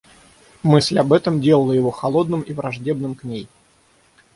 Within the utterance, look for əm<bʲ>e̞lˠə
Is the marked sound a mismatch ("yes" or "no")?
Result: yes